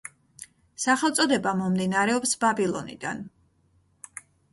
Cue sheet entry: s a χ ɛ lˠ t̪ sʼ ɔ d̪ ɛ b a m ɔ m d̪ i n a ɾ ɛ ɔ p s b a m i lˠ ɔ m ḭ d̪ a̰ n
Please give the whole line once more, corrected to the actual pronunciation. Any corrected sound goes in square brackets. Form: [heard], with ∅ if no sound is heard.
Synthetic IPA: s a χ ɛ lˠ t̪ sʼ ɔ d̪ ɛ b a m ɔ m d̪ i n a ɾ ɛ ɔ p s b a [b] i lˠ ɔ [n] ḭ d̪ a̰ n